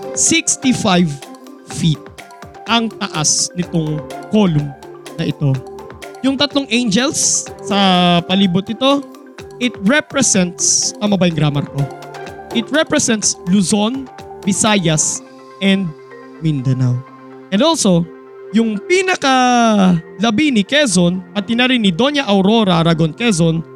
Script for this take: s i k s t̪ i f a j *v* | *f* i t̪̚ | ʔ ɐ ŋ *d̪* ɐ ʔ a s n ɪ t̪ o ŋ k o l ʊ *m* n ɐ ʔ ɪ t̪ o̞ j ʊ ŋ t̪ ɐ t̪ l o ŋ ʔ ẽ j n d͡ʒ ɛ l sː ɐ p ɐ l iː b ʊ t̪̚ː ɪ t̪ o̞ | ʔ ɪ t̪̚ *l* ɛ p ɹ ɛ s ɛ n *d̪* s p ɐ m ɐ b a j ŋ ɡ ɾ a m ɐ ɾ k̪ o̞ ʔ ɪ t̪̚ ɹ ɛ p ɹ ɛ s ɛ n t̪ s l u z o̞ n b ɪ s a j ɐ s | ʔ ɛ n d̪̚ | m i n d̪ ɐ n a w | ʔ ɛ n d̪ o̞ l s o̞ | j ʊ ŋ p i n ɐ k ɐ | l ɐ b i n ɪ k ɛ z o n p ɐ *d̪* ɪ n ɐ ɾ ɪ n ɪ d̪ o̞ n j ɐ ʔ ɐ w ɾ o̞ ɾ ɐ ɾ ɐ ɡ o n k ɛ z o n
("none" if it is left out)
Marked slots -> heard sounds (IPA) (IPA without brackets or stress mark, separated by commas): v, f, t̪, m, ɹ, t̪, t̪